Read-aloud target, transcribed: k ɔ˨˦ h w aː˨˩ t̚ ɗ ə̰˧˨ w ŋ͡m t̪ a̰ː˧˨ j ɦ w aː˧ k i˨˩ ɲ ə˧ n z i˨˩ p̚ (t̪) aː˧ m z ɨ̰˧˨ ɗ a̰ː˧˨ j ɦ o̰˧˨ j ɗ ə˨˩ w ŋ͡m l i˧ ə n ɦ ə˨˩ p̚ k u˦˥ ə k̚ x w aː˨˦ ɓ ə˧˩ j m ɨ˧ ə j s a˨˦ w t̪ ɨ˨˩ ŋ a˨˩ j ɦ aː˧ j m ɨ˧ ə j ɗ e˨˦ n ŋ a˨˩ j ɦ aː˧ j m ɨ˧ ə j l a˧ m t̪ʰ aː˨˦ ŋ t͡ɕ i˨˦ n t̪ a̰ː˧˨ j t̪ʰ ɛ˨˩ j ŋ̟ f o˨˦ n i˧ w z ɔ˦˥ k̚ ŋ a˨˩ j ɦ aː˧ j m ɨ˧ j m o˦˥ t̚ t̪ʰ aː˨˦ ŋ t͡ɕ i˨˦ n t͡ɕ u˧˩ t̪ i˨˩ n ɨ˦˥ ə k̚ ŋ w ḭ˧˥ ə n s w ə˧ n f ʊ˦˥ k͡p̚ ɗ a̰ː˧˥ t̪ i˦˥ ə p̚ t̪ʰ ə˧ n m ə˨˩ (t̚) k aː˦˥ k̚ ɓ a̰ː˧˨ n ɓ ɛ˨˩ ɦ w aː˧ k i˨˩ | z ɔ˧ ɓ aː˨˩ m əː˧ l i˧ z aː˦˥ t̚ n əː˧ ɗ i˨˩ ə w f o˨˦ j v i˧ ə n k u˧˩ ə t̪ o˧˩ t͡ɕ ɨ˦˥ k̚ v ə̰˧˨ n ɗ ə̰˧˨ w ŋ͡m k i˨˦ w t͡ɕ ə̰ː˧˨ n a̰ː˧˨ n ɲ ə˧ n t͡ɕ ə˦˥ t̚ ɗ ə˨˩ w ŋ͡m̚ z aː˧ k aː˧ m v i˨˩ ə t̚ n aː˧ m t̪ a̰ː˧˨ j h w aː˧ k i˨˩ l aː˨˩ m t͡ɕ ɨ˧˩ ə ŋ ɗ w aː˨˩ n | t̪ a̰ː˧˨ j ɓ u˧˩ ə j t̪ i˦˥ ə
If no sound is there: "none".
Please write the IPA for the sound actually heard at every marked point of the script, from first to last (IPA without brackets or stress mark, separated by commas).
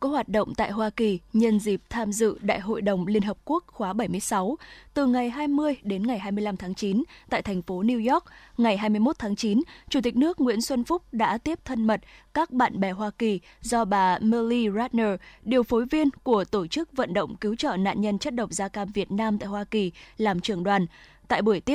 t̪ʰ, t̚